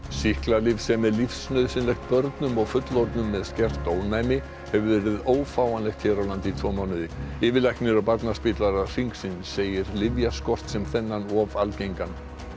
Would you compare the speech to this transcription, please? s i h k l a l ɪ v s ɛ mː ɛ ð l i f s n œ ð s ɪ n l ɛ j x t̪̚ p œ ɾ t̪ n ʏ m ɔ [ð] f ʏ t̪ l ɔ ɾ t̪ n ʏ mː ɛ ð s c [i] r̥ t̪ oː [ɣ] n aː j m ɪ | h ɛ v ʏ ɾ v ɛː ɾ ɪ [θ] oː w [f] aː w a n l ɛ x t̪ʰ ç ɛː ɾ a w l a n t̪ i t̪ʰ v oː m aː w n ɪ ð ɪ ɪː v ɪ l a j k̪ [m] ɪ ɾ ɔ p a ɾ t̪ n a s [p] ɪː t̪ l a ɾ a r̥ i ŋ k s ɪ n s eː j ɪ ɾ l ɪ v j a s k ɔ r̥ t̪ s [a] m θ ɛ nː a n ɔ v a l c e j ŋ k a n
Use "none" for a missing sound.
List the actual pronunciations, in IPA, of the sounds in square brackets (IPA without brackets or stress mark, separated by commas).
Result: ɣ, ɛ, w, ð, f, n, p, ɛ